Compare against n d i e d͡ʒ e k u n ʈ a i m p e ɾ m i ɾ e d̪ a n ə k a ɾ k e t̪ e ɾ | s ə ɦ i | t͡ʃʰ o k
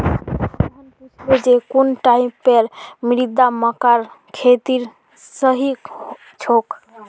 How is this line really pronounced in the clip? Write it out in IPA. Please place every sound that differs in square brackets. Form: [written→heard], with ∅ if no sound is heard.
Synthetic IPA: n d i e d͡ʒ e k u n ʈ a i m p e ɾ m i ɾ [e→i] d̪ a [n→m] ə k a ɾ [k→kʰ] e t̪ [e→i] ɾ | s ə ɦ i | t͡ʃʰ o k